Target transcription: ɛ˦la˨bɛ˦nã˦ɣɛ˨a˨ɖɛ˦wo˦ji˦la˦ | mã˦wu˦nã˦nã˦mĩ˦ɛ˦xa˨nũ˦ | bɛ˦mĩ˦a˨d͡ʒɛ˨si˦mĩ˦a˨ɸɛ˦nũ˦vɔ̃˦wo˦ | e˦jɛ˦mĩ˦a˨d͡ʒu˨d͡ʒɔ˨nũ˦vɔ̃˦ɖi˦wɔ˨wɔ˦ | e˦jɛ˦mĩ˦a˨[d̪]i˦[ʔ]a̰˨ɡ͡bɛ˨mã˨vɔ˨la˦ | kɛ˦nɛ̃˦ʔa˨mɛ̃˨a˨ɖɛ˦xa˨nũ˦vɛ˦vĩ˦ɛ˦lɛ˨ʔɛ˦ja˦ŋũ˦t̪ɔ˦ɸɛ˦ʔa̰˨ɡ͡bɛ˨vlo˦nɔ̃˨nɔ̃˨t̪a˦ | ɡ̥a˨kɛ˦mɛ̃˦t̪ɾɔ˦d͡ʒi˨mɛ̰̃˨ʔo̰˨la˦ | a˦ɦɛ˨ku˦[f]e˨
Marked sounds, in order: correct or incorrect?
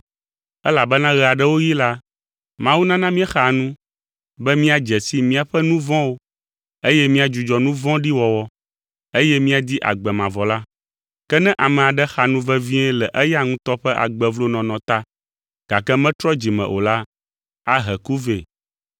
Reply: correct, correct, incorrect

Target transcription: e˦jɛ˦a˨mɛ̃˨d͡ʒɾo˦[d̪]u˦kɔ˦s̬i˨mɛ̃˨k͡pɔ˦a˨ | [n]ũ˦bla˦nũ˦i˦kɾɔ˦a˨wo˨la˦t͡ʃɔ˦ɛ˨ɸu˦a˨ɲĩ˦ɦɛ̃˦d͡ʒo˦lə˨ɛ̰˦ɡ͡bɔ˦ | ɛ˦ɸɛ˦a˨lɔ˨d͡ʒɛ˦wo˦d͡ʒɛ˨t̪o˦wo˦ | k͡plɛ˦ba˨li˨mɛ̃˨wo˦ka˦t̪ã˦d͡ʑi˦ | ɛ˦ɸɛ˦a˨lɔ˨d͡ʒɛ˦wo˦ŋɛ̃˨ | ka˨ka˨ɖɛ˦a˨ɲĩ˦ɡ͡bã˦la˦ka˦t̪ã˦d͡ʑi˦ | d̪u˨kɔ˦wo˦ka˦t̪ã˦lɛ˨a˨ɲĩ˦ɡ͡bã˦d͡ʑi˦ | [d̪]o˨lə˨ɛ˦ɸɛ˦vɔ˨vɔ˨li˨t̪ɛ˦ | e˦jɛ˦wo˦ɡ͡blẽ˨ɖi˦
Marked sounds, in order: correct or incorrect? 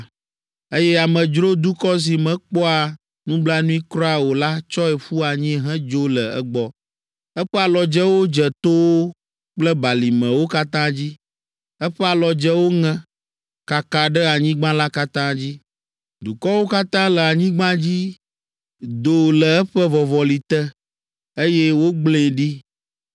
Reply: correct, correct, correct

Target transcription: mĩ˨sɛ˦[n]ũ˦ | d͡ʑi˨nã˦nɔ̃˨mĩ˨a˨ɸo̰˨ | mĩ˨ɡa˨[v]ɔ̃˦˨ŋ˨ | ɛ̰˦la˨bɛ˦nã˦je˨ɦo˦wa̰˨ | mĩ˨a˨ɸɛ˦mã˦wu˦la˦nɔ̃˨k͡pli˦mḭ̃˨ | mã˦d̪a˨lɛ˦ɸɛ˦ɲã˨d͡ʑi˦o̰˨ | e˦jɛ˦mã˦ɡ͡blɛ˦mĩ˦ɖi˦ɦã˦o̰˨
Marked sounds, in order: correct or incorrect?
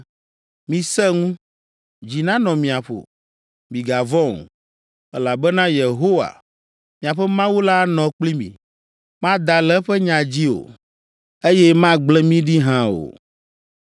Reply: incorrect, correct

